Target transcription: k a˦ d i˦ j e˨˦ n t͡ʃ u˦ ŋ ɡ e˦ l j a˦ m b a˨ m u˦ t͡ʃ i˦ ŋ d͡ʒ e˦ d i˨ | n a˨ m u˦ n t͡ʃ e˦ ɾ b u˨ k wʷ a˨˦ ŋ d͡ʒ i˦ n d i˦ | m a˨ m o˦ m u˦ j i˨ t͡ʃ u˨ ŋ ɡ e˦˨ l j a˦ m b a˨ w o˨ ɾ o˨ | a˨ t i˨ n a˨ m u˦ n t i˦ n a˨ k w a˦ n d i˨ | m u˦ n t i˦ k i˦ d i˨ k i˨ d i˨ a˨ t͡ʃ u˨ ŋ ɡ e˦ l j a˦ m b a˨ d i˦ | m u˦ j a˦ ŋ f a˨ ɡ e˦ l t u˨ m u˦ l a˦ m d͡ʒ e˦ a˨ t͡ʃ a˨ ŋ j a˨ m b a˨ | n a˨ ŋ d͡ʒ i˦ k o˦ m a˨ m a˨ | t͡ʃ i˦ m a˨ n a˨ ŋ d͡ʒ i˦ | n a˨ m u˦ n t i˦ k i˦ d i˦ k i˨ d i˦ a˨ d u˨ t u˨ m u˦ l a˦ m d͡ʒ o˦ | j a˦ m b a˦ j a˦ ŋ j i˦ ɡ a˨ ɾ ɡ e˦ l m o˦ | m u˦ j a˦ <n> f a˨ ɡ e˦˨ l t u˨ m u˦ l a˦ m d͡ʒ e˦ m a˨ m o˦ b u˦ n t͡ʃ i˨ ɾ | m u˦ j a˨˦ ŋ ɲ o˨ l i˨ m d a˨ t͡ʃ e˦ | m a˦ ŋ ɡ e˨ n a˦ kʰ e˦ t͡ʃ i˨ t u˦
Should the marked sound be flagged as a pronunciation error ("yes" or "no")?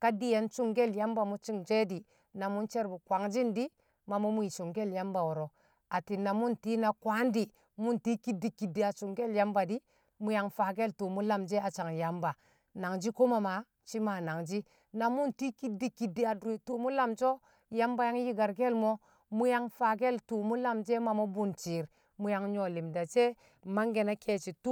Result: yes